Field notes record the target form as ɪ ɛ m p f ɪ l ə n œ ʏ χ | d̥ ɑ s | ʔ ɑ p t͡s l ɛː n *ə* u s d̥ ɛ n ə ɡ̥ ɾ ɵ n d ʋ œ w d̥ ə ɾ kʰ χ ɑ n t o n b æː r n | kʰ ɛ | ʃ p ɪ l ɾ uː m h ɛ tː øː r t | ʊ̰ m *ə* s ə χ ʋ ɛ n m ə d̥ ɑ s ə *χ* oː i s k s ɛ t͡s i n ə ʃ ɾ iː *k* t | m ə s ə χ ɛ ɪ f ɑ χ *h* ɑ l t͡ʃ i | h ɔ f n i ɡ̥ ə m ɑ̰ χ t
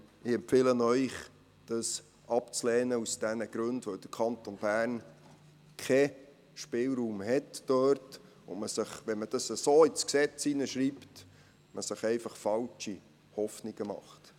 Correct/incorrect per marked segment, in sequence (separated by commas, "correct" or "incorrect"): correct, correct, incorrect, incorrect, incorrect